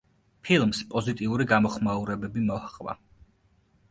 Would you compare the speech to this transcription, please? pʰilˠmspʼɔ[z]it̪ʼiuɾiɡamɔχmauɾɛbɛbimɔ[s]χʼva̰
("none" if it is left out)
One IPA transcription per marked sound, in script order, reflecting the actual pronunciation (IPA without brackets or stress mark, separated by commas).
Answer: z, h